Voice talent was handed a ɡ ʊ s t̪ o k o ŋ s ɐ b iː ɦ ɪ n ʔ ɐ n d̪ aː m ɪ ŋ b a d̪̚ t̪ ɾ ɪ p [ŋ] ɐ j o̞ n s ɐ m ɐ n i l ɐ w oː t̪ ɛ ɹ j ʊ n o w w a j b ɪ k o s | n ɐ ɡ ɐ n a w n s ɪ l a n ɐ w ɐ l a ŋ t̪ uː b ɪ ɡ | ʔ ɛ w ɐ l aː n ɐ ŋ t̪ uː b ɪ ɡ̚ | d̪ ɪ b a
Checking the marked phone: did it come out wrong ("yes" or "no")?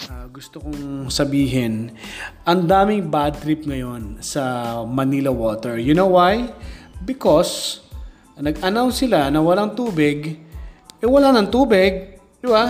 no